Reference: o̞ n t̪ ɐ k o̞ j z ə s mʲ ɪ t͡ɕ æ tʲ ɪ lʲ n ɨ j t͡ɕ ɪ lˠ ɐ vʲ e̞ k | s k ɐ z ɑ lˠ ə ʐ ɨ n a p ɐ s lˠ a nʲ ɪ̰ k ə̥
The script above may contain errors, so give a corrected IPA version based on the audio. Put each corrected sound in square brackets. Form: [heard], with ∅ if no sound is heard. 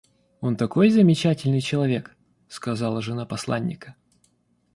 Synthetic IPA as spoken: o̞ n t̪ ɐ k o̞ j z ə [∅] mʲ ɪ t͡ɕ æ tʲ ɪ lʲ n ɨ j t͡ɕ ɪ lˠ ɐ vʲ e̞ k | s k ɐ z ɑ lˠ ə ʐ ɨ n a p ɐ s lˠ a [nʲː] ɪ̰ k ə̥